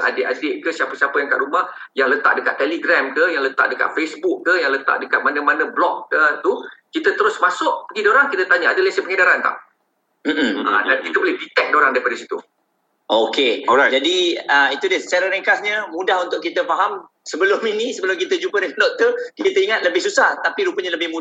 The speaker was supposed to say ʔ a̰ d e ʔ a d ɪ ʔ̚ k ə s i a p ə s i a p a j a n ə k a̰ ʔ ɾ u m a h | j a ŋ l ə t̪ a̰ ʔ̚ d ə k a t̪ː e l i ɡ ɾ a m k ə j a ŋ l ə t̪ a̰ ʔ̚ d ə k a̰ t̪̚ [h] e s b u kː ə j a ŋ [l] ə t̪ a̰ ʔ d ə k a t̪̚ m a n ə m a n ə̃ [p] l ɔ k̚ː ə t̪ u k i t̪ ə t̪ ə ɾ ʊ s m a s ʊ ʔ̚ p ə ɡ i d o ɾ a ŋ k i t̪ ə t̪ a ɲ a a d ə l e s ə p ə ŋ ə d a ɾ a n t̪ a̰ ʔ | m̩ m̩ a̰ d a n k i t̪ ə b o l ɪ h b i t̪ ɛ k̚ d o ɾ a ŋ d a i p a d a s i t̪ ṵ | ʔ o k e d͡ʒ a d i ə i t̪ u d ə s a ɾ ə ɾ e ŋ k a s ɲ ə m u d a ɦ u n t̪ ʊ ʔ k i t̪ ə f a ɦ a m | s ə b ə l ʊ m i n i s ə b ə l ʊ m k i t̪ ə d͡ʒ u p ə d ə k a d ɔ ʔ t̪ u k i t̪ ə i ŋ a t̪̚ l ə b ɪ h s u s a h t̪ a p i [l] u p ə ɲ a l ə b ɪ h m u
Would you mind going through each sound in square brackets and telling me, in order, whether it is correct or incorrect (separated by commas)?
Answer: incorrect, correct, incorrect, incorrect